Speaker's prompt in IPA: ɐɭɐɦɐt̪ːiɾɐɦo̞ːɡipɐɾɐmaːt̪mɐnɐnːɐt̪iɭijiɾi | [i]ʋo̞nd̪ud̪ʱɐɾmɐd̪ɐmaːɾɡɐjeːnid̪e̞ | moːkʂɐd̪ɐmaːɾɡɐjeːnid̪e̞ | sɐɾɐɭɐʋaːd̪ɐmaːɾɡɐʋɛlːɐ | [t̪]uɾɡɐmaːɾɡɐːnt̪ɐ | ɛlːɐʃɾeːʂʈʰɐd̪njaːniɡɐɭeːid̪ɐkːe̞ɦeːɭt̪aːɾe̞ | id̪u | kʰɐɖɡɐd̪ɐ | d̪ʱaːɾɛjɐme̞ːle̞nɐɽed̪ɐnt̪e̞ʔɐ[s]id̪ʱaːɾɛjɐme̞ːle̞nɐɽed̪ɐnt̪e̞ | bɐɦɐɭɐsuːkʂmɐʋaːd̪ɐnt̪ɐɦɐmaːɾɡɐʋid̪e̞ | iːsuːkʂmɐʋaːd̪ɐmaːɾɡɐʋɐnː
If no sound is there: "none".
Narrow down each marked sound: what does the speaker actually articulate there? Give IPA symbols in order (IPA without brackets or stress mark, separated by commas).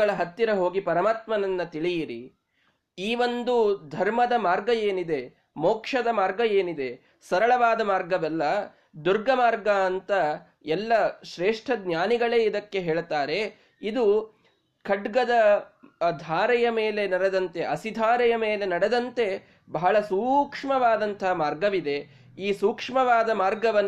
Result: iː, d̪, s